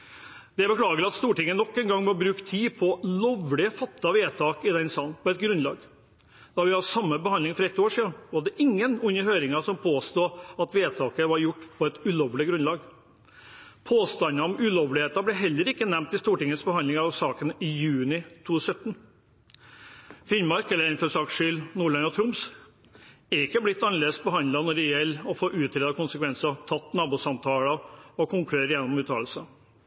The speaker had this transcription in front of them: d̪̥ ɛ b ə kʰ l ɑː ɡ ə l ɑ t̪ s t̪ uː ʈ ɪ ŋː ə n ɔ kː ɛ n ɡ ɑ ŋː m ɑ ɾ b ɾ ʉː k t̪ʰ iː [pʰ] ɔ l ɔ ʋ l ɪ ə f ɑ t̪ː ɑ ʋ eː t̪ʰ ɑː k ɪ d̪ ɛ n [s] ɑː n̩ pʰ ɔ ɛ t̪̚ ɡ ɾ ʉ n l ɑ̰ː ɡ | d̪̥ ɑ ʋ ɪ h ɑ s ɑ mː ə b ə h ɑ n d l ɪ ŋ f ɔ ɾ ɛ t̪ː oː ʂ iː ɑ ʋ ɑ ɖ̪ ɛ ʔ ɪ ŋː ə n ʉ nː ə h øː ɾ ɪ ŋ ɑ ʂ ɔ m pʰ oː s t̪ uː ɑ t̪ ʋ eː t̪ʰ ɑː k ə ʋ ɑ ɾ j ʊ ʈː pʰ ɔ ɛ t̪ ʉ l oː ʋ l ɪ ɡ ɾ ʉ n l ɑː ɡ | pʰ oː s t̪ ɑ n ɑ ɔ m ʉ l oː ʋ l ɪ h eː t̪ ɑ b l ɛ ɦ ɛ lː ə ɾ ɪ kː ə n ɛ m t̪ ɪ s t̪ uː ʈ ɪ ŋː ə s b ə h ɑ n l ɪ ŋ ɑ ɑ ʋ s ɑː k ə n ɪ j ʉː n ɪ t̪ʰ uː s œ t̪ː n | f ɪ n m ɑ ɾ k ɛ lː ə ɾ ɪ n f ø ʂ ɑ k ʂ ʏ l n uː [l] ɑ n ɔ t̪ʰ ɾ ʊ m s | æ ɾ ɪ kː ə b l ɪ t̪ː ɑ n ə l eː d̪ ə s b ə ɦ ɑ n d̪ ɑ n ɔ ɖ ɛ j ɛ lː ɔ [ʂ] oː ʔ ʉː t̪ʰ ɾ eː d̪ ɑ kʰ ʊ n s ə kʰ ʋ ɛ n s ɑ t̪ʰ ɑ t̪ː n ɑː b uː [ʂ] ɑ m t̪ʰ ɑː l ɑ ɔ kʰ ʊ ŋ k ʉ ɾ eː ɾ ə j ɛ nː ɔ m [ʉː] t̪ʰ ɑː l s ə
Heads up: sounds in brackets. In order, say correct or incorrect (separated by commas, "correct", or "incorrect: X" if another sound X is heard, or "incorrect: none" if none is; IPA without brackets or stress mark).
correct, correct, incorrect: ɭ, incorrect: f, incorrect: s, correct